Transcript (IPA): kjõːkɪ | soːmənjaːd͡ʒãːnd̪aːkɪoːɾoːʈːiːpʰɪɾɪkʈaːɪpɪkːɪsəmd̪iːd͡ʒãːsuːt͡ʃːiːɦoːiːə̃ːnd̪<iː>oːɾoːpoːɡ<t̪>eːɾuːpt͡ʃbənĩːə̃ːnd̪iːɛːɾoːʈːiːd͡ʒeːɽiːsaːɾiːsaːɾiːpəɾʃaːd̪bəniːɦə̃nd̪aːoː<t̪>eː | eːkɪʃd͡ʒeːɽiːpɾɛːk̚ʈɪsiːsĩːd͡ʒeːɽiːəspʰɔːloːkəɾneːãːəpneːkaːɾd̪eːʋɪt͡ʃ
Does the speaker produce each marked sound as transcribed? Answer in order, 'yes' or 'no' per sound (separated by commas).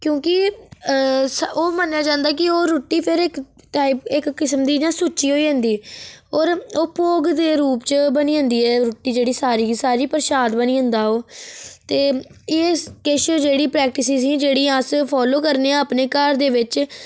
yes, no, yes